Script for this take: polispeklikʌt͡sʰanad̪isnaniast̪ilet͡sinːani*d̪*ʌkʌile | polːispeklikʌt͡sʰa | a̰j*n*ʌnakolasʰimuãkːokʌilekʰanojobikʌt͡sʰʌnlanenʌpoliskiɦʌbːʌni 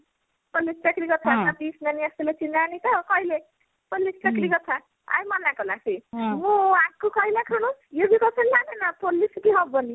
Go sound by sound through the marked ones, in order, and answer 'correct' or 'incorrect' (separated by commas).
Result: incorrect, incorrect